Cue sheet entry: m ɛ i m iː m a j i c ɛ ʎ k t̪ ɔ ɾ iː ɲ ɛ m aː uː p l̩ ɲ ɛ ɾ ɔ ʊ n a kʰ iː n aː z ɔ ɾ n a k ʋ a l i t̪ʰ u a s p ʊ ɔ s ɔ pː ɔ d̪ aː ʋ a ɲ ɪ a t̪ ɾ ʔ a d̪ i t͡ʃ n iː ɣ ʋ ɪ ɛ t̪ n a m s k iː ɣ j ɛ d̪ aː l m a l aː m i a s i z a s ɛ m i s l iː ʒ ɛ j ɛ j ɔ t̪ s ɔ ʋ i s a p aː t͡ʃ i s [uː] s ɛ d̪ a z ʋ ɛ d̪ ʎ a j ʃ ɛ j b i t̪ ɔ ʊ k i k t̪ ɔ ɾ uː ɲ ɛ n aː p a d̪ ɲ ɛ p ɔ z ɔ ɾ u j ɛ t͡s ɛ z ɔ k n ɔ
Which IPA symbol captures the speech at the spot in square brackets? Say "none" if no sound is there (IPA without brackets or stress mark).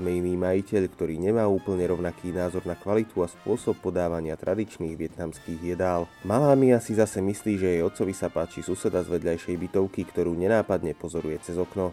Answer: u